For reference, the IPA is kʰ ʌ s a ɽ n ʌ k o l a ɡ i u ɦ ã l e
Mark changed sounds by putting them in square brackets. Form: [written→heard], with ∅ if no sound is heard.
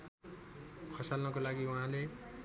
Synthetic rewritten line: kʰ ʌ s a [ɽ→l] n ʌ k o l a ɡ i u ɦ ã l e

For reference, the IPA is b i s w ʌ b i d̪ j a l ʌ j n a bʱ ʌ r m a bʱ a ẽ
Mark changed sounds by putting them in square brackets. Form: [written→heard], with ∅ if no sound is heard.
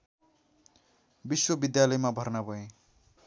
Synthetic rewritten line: b i s w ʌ b i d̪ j a l ʌ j [n→m] a bʱ ʌ r [m→n] a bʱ [a→ʌ] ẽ

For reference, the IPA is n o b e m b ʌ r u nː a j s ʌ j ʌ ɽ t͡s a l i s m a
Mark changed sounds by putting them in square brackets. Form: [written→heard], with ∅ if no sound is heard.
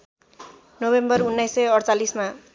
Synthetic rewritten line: n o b e m b ʌ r u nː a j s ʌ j ʌ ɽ t͡s a l i s m a

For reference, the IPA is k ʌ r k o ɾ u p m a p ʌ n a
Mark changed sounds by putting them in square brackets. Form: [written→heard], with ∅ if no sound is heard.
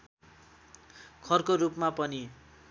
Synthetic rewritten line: [k→kʰ] ʌ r k o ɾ u p m a p ʌ n [a→i]

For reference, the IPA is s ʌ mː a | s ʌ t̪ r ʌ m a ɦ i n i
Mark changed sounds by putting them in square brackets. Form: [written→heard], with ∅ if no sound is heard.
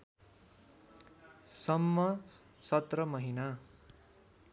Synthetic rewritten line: s ʌ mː [a→ʌ] | s ʌ t̪ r ʌ m [a→ʌ] ɦ i n [i→a]

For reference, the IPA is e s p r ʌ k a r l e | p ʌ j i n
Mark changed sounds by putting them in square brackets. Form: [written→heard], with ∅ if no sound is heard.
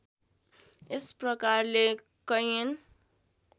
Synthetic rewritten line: e s p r ʌ k a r l e | [p→k] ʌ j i n

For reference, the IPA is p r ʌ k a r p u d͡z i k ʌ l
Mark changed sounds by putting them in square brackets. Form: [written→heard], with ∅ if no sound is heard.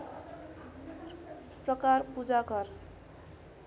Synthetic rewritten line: p r ʌ k a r p u d͡z [i→a] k ʌ [l→r]

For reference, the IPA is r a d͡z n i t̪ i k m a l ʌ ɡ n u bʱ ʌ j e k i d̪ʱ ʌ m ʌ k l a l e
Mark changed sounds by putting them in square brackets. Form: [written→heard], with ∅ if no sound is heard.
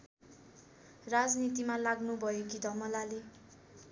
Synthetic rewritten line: r a d͡z n i t̪ i [k→∅] m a l [ʌ→a] ɡ n u bʱ ʌ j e k i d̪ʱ ʌ m ʌ [k→∅] l a l e

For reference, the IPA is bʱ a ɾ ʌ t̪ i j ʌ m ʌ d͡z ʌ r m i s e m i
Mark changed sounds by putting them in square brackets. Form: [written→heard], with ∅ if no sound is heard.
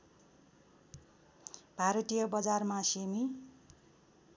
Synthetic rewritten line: bʱ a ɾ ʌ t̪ i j ʌ [m→b] ʌ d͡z [ʌ→a] r m [i→a] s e m i

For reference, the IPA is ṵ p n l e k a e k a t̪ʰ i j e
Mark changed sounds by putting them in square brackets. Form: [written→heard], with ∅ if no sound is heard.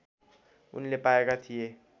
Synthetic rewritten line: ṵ [p→∅] n l e [k→p] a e k a t̪ʰ i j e

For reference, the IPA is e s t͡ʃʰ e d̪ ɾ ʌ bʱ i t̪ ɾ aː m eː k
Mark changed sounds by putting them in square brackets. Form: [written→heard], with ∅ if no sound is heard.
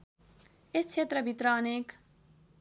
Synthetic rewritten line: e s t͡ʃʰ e [d̪→t̪] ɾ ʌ bʱ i t̪ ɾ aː [m→n] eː k

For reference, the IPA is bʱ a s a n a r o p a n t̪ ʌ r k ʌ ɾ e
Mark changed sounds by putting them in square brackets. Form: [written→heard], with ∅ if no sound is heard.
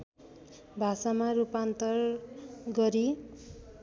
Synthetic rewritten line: bʱ a s a [n→m] a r [o→u] p a n t̪ ʌ r [k→ɡ] ʌ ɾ [e→i]

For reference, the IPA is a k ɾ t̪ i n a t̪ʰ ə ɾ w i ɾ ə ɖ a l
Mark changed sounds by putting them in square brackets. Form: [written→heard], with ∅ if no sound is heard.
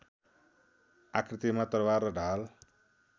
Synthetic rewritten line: a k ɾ t̪ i [n→m] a [t̪ʰ→t̪] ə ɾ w [i→a] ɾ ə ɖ a l

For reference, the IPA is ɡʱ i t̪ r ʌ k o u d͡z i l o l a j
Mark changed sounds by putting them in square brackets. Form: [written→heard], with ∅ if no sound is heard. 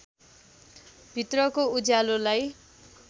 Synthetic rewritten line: [ɡʱ→bʱ] i t̪ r ʌ k o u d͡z [i→a] l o l a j

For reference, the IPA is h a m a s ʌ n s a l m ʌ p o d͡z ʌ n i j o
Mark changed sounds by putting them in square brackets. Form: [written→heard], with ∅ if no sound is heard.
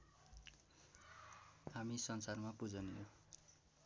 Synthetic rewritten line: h a m [a→i] s ʌ n s a [l→r] m [ʌ→a] p [o→u] d͡z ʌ n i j o

